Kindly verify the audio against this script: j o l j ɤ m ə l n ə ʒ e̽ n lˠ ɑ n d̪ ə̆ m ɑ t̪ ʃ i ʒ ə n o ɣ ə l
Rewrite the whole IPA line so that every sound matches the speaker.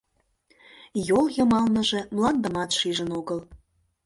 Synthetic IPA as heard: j o l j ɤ m ɑ l n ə ʒ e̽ m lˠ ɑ n d̪ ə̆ m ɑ t̪ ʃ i ʒ ə n o ɣ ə l

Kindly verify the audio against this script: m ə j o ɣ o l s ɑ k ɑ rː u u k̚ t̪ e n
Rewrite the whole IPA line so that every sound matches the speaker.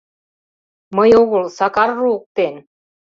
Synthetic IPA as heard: m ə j o ɣ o l s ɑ k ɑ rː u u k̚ t̪ e n

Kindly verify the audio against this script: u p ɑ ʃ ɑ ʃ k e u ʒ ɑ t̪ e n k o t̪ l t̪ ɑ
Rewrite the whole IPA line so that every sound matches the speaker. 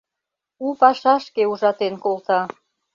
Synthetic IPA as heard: u p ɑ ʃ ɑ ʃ k e u ʒ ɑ t̪ e n k o l t̪ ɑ

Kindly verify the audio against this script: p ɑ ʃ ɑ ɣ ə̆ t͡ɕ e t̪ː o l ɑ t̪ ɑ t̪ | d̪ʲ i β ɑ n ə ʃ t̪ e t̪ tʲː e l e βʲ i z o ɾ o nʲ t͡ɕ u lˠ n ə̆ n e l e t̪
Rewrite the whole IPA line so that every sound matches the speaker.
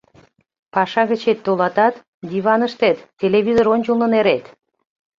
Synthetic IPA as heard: p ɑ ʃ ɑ ɣ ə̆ t͡ɕ e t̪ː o l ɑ t̪ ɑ t̪ | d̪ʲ i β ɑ n ə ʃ t̪ e t̪ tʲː e l e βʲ i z o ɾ o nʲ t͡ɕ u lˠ n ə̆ n e ɾ e t̪

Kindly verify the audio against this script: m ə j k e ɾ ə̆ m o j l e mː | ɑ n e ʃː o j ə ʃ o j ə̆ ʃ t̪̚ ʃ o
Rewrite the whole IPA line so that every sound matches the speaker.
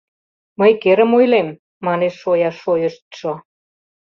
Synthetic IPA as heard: m ə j k e ɾ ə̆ m o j l e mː | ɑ n e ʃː o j ɑ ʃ o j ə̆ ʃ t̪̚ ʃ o

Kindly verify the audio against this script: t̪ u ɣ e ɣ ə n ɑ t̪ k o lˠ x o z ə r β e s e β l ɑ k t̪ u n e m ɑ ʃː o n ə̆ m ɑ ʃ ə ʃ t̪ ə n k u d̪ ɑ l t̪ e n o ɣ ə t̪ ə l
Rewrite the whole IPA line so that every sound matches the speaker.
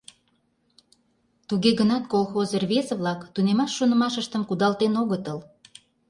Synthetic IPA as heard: t̪ u ɣ e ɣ ə n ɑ t̪ k o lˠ x o z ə r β e s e β l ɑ k t̪ u n e m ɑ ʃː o n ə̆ m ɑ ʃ ə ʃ t̪ ə m k u d̪ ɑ l t̪ e n o ɣ ə t̪ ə l

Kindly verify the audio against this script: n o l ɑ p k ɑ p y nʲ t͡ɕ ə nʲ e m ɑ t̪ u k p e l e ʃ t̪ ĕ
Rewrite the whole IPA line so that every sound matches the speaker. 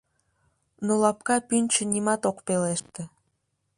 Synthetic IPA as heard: n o l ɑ p k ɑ p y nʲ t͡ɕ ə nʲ i m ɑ t̪ o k p e l e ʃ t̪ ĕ

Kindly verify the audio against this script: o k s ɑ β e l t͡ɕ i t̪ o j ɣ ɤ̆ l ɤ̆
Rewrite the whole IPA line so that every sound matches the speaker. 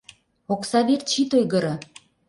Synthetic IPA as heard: o k s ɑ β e r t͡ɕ i t̪ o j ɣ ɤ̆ ɾ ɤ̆

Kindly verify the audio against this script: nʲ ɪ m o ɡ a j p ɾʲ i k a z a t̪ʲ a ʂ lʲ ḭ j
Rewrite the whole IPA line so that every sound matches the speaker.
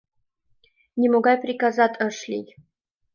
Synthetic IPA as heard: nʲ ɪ m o ɡ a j p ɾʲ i k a z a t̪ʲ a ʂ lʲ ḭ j

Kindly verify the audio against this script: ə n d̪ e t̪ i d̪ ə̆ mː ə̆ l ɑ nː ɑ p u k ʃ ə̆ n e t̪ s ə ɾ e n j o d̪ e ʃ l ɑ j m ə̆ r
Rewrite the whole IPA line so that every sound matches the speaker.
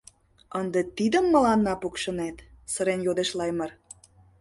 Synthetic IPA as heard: ə n d̪ e t̪ i d̪ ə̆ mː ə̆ l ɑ nː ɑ p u k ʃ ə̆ n e t̪ s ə ɾ e n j o d̪ e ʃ l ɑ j m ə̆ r

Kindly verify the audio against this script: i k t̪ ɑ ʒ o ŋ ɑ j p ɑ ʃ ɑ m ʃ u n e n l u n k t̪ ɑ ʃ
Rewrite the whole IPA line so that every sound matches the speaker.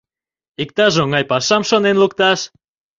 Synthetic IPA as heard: i k t̪ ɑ ʒ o ŋ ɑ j p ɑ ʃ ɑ m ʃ o n e n l u k t̪ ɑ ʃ

